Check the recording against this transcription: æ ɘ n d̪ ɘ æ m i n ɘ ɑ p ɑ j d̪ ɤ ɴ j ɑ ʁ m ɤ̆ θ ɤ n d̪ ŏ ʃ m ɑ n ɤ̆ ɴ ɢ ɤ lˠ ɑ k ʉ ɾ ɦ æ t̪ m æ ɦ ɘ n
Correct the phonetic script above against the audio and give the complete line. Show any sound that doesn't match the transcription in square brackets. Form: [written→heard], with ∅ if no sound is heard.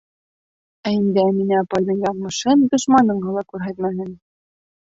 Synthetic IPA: æ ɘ n d̪ ɘ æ m i n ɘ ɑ p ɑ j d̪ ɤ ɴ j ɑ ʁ m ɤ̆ [θ→ʃ] ɤ n d̪ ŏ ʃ m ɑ n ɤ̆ ɴ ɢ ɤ lˠ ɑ k ʉ ɾ ɦ æ t̪ m æ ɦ ɘ n